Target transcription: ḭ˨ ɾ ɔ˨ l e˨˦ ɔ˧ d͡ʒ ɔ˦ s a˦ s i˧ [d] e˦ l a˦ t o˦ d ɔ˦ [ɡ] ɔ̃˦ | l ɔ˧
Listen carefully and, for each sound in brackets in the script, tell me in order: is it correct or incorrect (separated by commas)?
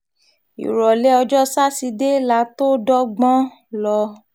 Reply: correct, incorrect